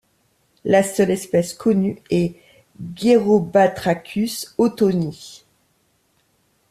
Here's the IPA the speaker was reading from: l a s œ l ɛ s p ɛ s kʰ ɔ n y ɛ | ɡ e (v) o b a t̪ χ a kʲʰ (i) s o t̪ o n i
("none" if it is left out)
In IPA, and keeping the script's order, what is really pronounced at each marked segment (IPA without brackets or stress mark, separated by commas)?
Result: ʁ, y